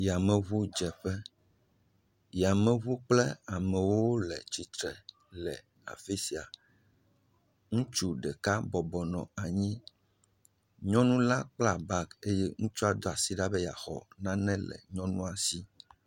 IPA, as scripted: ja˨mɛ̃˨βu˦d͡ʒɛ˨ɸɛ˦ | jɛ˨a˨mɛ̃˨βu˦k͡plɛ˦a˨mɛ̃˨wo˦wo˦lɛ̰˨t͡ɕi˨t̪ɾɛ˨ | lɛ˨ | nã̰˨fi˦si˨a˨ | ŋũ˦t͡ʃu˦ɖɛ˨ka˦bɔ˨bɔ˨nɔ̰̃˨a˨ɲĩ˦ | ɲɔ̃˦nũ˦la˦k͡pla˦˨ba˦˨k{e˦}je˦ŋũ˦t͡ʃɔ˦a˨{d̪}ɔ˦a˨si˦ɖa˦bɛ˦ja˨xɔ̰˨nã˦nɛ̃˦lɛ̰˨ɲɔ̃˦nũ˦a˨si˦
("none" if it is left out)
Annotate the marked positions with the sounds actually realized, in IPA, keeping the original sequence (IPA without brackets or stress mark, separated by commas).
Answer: e˦, d̪